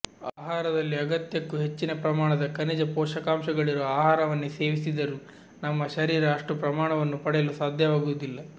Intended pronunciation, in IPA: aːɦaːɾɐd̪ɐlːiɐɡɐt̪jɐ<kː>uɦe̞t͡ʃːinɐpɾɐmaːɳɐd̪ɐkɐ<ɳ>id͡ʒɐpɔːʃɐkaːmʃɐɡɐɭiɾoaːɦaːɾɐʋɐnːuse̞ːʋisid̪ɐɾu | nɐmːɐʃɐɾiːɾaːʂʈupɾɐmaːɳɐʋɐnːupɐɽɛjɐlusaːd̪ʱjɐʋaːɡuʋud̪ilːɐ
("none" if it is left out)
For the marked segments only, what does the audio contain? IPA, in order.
kː, n

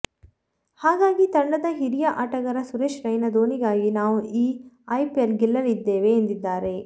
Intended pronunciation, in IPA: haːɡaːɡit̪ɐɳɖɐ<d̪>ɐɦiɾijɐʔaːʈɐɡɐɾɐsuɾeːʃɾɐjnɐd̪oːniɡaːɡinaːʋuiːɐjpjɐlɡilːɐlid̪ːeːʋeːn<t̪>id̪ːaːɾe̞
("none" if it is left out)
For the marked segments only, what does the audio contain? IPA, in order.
d̪, d̪

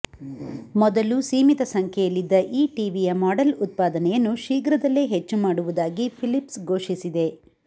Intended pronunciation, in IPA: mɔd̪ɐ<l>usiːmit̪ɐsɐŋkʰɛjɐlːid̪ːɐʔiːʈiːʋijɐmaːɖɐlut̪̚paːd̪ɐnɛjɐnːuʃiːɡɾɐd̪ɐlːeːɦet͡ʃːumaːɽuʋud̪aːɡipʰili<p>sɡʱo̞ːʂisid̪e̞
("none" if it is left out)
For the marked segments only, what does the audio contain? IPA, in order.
l, p

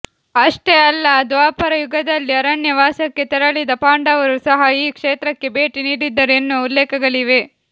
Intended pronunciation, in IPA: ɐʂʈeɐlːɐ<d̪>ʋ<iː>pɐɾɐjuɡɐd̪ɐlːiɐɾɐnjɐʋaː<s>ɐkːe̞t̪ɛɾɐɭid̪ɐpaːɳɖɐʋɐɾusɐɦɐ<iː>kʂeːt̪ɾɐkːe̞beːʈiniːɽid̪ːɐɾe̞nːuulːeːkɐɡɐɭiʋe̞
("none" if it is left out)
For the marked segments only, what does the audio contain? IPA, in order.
d̪, aː, s, iː

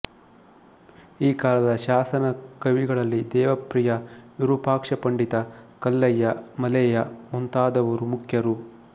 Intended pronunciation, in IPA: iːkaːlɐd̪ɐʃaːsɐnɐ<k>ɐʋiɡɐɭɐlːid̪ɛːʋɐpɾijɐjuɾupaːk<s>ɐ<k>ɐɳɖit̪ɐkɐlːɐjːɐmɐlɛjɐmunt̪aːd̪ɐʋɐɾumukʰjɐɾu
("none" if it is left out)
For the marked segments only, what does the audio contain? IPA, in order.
k, ʂ, p

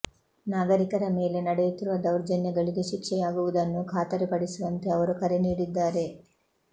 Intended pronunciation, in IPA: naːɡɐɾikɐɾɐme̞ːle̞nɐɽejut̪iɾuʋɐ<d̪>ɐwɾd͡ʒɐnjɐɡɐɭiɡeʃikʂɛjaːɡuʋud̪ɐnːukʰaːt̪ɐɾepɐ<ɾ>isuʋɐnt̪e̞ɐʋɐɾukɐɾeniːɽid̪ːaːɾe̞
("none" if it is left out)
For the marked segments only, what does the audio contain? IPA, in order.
d̪, ɽ

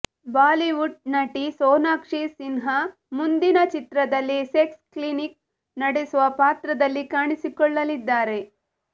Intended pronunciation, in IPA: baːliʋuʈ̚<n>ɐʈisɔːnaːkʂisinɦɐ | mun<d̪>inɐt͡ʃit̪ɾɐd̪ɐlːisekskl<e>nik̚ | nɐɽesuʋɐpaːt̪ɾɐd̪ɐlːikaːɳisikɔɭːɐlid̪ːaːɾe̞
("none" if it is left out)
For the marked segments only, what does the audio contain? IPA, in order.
n, d̪, i

